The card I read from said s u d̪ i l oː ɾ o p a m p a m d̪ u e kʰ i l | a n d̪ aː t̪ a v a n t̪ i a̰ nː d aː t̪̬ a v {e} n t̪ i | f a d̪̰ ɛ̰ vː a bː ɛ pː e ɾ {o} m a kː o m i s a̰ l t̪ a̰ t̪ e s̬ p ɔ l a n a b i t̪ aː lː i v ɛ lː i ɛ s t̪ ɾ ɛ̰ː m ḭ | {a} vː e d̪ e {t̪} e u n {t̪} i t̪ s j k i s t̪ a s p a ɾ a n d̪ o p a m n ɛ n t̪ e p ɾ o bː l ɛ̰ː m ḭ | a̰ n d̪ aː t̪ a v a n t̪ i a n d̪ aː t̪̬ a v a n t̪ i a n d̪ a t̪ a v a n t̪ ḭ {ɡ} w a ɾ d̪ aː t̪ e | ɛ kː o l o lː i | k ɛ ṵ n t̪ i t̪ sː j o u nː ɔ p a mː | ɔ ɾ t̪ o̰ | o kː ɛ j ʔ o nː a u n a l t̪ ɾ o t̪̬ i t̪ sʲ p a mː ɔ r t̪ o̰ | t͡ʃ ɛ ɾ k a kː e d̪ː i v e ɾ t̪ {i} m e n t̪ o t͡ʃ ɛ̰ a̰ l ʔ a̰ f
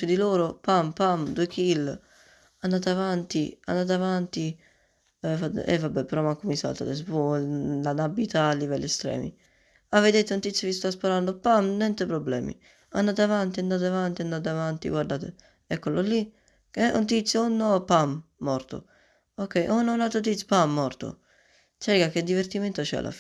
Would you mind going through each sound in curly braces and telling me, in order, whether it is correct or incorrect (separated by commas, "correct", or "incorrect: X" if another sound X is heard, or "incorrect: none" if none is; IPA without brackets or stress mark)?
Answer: incorrect: a, incorrect: ɔ, correct, correct, correct, correct, correct